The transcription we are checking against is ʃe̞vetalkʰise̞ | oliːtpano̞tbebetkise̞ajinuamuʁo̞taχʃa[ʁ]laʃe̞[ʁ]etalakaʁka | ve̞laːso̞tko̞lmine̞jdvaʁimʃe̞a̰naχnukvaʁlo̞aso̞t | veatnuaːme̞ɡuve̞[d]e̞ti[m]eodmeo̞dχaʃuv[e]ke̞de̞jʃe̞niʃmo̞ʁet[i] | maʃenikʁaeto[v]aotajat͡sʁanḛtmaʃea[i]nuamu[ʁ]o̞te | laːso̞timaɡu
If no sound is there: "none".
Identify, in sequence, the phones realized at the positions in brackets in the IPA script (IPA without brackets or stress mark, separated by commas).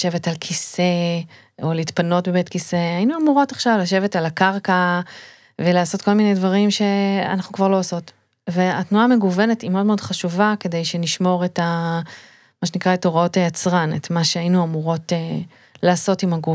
v, v, n, m, a, a, ʁ, i, ʁ